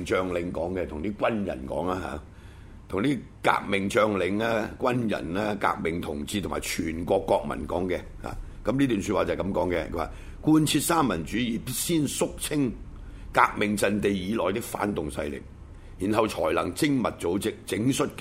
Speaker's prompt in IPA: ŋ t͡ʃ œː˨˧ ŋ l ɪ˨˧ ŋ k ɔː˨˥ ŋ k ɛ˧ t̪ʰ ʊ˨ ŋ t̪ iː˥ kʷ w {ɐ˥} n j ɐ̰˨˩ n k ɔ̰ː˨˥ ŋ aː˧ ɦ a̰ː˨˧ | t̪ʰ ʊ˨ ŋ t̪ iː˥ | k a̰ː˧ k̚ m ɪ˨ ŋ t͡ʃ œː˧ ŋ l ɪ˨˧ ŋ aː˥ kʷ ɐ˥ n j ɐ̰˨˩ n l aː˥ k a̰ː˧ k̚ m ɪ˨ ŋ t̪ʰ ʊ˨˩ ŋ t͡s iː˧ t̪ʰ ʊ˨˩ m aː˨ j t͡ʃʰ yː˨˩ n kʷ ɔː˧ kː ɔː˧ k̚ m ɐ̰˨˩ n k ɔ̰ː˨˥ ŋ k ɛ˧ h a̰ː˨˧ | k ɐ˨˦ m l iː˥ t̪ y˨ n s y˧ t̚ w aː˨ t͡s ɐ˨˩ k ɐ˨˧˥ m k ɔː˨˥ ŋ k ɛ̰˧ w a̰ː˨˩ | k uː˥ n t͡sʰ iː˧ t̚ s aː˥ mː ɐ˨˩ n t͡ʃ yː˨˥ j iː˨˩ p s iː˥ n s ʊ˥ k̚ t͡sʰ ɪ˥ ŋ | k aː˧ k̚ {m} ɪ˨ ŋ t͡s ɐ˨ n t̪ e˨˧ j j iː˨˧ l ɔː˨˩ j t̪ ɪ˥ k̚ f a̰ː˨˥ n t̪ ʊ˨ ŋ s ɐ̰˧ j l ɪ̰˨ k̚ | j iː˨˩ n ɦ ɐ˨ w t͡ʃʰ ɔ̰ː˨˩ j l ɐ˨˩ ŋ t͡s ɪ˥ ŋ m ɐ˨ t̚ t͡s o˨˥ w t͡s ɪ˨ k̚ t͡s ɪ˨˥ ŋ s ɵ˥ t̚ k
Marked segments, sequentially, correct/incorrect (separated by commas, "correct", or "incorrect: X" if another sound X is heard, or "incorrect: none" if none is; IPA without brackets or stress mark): correct, correct